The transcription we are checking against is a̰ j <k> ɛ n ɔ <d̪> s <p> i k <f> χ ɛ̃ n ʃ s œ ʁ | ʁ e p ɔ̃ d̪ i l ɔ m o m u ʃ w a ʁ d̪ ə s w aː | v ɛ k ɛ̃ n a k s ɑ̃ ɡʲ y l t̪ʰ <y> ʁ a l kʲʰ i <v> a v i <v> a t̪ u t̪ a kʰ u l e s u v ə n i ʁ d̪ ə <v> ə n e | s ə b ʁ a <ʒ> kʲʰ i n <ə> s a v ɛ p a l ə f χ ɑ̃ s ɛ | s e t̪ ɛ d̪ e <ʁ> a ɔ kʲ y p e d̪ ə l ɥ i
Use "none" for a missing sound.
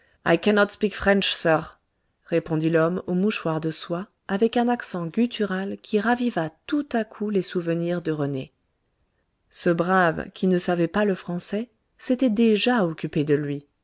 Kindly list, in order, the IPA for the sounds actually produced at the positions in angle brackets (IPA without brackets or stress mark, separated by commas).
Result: k, t̪, p, f, y, ʁ, v, ʁ, v, ə, ʒ